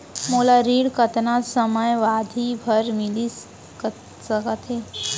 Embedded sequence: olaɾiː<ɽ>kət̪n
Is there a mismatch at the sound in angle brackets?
no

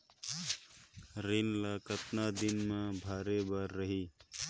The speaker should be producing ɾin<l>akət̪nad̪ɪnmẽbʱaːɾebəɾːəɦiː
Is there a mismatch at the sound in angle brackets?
no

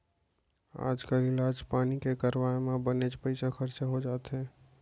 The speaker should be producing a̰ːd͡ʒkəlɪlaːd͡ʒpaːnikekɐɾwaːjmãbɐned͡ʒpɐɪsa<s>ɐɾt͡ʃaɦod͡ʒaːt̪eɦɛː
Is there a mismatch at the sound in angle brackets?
yes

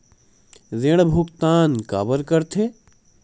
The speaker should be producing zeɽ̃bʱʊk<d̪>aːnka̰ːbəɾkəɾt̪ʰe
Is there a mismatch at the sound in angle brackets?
yes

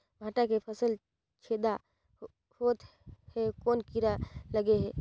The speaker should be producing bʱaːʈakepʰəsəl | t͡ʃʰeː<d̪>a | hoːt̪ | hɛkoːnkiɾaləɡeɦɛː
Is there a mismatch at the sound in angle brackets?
no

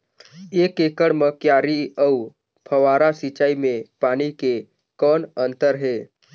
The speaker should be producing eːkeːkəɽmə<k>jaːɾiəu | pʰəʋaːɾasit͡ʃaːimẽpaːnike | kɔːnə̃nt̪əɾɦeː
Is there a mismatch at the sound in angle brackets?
no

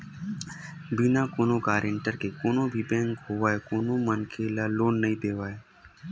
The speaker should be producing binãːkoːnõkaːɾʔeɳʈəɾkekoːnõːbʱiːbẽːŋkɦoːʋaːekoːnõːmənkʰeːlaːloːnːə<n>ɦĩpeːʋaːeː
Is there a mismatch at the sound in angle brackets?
yes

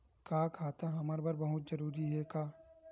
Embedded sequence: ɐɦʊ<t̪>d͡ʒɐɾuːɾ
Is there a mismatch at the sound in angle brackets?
no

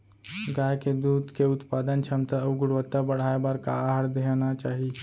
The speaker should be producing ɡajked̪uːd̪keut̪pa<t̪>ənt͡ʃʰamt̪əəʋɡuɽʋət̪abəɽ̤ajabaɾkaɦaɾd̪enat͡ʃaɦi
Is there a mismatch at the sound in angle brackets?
yes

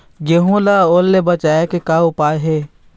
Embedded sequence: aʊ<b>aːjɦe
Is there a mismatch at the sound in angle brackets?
yes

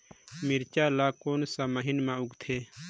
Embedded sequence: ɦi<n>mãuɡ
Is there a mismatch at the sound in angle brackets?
no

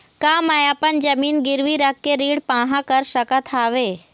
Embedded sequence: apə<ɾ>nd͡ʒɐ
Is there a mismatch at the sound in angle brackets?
yes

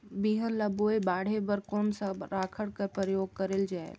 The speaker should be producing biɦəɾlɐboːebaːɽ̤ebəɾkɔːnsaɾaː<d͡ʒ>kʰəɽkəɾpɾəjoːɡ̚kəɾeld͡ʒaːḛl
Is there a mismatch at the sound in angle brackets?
yes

